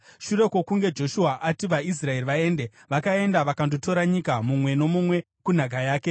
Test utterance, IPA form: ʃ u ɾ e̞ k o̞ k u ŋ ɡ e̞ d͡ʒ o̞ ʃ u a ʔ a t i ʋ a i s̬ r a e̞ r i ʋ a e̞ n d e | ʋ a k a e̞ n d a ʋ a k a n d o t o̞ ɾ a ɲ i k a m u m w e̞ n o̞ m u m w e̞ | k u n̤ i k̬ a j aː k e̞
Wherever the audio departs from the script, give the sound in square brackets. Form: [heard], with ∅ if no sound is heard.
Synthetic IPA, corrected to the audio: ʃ u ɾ e̞ k o̞ k u ŋ ɡ e̞ d͡ʒ o̞ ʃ u a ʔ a t i ʋ a i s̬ r a e̞ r i ʋ a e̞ n d e | ʋ a k a e̞ n d a ʋ a k a n d o t o̞ ɾ a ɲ i k a m u m w e̞ n o̞ m u m w e̞ | k u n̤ [a] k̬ a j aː k e̞

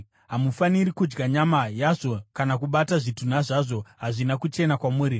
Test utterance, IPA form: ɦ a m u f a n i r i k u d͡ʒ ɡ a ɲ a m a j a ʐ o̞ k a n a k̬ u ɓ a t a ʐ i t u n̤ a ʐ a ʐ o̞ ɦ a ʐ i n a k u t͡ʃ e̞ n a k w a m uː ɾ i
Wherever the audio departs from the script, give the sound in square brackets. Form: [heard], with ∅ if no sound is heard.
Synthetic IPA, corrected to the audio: ɦ a m u f a n i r i k u d͡ʒ ɡ a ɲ a m a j a ʐ o̞ k a n a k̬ u ɓ a t a ʐ i t u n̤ a ʐ a ʐ o̞ ɦ a ʐ i n a k u t͡ʃ e̞ n a k w a m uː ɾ i

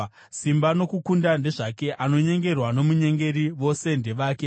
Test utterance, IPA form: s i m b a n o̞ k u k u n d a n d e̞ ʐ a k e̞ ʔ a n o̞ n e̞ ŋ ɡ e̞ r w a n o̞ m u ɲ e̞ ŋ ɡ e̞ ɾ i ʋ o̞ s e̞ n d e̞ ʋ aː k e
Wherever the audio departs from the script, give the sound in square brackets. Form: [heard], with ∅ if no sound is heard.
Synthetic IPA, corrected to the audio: s i m b a n o̞ k u k u n d a n d e̞ ʐ a k e̞ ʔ a n o̞ [ɲ] e̞ ŋ ɡ e̞ r w a n o̞ m u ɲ e̞ ŋ ɡ e̞ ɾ i ʋ o̞ s e̞ n d e̞ ʋ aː k e

